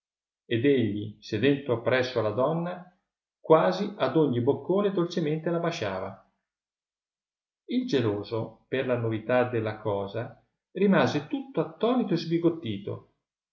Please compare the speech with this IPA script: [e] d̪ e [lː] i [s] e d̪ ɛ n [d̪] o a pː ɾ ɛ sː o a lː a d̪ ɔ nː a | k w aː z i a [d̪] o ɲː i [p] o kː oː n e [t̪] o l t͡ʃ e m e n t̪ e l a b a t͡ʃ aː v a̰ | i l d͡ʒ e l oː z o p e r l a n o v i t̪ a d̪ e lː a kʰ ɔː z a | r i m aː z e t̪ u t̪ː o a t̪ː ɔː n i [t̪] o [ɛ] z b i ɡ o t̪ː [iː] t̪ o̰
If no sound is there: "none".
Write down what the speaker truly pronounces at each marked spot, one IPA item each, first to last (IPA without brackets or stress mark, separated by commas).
e, ʎː, s, t̪, d̪, b, d̪, t̪, e, iː